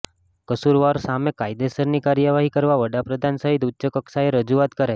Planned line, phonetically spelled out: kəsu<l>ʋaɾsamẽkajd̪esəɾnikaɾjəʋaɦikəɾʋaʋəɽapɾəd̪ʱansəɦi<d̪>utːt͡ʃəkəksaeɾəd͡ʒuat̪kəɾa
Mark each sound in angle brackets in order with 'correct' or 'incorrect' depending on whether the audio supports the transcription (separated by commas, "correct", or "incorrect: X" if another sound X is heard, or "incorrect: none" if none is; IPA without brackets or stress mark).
incorrect: ɾ, incorrect: t̪